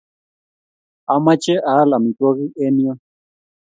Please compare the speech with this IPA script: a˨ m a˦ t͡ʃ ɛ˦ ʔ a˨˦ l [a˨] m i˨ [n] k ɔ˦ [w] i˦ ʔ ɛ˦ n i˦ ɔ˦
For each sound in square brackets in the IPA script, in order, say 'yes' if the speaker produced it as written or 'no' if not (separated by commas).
yes, no, no